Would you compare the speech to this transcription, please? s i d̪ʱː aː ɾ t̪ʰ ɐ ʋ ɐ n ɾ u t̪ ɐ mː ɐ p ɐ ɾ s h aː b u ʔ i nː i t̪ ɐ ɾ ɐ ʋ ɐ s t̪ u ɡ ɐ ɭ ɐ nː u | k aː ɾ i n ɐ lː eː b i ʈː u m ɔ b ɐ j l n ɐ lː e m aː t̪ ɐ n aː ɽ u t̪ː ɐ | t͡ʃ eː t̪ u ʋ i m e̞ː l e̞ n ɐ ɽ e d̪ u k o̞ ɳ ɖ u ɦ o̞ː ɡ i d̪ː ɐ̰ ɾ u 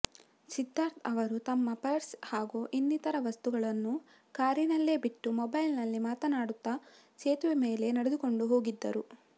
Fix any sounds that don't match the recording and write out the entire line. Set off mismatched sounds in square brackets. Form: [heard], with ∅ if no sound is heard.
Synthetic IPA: s i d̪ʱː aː ɾ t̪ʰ ɐ ʋ ɐ [∅] ɾ u t̪ ɐ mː ɐ p ɐ ɾ s h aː [ɡ] u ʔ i nː i t̪ ɐ ɾ ɐ ʋ ɐ s t̪ u ɡ ɐ ɭ ɐ nː u | k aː ɾ i n ɐ lː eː b i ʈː u m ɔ b ɐ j l n ɐ lː [i] m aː t̪ ɐ n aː ɽ u t̪ː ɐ | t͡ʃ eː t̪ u ʋ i m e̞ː l e̞ n ɐ ɽ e d̪ u k o̞ ɳ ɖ u ɦ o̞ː ɡ i d̪ː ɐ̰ ɾ u